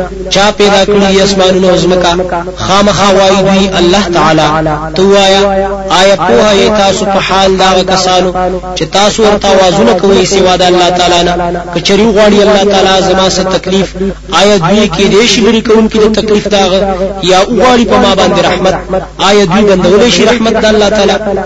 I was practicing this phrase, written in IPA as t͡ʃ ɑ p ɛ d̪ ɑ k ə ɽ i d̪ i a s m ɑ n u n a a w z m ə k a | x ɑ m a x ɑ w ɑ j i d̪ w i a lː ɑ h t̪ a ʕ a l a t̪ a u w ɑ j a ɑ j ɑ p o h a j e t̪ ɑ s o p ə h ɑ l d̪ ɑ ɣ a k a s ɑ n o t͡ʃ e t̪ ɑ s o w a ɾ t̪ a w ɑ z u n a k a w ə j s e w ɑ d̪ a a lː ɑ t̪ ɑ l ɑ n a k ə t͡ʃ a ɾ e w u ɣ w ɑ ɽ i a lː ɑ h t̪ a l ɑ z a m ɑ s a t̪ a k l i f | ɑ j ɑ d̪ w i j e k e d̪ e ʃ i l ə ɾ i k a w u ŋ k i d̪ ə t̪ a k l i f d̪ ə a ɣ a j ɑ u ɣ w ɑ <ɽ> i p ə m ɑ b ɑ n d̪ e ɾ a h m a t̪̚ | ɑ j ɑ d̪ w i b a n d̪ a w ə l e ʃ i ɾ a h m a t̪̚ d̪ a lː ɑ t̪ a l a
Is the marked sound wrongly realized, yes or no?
no